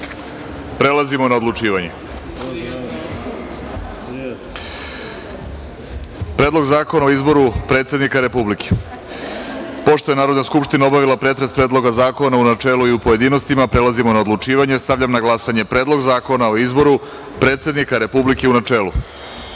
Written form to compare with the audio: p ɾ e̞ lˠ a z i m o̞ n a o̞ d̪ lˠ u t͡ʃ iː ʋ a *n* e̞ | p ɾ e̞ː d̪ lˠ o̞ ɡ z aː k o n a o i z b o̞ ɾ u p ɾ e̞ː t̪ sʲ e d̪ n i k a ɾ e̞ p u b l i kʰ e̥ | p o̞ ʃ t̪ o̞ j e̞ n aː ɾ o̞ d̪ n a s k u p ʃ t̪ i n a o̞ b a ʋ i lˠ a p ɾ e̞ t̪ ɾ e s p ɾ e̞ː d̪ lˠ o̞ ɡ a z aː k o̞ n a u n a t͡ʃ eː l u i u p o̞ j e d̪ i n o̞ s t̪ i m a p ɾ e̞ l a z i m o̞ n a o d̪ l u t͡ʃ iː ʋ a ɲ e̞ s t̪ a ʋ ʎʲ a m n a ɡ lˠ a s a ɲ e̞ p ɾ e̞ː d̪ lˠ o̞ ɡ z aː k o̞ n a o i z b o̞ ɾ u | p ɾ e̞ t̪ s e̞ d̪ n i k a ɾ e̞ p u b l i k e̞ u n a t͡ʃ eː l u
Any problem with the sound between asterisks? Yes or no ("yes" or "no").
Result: yes